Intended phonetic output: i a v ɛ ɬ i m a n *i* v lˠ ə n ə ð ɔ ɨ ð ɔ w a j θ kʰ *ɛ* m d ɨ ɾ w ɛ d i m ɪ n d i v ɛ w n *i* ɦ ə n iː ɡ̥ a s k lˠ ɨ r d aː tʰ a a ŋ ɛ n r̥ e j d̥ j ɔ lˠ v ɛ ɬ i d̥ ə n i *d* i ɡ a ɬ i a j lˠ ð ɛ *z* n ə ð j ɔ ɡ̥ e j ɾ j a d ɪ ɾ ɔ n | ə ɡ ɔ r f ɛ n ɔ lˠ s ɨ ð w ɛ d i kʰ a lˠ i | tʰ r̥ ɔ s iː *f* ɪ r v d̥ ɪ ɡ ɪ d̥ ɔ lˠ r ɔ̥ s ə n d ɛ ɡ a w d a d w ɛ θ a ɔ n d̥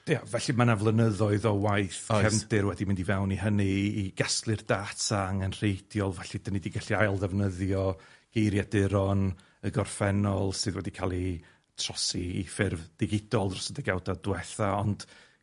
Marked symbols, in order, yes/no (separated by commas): no, yes, yes, yes, no, yes